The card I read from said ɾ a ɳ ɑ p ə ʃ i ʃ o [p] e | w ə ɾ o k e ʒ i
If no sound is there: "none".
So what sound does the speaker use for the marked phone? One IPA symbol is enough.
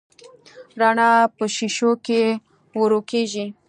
k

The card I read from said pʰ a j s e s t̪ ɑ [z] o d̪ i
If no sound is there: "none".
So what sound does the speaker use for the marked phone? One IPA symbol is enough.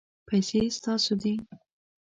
s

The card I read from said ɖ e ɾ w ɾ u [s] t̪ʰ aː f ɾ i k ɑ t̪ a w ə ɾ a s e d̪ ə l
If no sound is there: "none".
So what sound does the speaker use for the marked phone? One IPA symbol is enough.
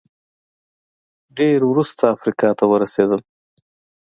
s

